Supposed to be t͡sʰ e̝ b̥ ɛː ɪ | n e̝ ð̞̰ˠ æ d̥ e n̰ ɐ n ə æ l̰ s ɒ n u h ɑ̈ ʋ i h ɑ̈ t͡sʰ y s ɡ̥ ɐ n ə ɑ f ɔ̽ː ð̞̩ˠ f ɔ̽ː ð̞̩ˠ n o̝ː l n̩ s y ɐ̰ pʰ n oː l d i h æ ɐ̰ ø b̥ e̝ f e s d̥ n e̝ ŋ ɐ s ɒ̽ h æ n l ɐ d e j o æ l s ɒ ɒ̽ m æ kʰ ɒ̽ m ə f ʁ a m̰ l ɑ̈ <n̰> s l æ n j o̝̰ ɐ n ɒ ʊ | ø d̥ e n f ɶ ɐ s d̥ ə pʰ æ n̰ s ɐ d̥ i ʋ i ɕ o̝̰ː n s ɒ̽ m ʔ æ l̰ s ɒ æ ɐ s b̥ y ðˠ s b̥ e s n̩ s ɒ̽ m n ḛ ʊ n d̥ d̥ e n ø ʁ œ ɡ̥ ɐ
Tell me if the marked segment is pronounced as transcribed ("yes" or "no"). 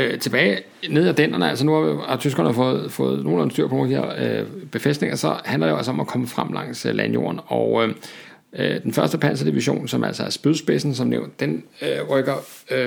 no